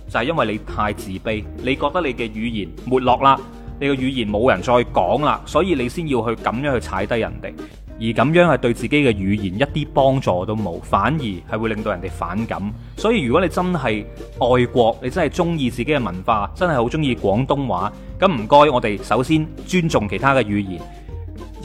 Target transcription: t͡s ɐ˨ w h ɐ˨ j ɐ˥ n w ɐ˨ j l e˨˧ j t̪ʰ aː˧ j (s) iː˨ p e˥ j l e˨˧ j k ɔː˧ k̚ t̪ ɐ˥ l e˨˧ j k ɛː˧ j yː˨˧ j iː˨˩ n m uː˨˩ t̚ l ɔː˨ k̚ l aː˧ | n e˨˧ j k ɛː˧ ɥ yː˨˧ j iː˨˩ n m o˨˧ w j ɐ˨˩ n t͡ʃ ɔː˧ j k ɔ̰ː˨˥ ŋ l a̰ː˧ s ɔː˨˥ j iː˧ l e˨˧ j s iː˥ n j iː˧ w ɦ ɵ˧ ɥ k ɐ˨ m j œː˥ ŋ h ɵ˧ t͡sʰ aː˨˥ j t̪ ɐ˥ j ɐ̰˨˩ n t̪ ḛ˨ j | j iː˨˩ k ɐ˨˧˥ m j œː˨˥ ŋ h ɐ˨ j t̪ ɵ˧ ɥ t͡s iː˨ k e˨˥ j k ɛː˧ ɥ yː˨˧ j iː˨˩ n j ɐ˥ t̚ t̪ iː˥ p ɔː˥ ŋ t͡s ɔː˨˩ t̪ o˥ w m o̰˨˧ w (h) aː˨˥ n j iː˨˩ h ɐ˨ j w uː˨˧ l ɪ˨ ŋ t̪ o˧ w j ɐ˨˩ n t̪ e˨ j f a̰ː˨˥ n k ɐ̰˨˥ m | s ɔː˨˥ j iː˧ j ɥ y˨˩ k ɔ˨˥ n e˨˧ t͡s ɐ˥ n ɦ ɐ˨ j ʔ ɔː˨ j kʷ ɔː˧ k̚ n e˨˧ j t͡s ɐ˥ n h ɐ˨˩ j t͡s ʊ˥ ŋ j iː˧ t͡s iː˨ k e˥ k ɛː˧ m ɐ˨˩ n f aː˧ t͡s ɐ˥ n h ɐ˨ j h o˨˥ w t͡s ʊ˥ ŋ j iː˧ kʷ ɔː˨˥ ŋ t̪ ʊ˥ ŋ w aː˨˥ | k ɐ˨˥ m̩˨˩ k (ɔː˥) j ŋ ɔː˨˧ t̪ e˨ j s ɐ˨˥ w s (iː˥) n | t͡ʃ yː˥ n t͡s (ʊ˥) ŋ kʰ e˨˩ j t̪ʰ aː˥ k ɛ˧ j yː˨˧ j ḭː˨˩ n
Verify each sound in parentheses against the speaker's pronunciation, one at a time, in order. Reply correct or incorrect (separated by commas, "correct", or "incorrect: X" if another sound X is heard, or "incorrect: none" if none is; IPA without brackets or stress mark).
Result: incorrect: t͡s, incorrect: f, correct, correct, incorrect: ʊ˨